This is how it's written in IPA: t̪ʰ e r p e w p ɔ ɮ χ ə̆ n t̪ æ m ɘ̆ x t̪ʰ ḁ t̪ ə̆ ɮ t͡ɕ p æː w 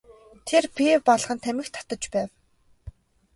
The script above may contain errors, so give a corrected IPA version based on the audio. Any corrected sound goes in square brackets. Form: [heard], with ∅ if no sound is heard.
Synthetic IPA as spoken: t̪ʰ e r p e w p ɔ ɮ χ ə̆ n [t̪ʰ] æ m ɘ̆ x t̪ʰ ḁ t̪ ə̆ [∅] t͡ɕ p æː w